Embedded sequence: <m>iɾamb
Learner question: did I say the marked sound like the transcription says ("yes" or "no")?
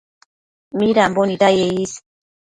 yes